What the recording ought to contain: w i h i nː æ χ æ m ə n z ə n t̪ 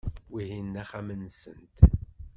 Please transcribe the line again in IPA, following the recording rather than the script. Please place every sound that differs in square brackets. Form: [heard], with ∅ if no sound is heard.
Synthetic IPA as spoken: w i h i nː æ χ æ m ə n [s] ə n t̪